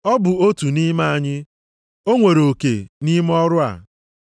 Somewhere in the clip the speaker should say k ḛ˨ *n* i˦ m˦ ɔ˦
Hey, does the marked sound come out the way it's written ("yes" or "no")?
yes